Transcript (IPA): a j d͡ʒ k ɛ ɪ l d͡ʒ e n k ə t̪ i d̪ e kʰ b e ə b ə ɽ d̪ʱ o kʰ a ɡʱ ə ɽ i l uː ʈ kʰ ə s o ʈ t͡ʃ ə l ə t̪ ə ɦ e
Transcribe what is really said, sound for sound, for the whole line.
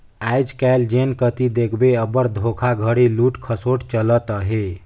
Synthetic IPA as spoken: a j d͡ʒ k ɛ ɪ l d͡ʒ e n k ə t̪ i d̪ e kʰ b e ə b ə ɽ d̪ʱ o kʰ a ɡʱ ə ɽ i l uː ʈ kʰ ə s o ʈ t͡ʃ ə l ə t̪ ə ɦ e